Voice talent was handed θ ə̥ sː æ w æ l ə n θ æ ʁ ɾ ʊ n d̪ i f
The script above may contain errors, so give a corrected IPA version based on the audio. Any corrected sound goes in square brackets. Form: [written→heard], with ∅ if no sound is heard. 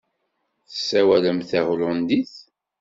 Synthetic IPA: θ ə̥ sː æ w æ l ə [n→m] θ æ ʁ [ɾ→l] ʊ n d̪ i [f→θ]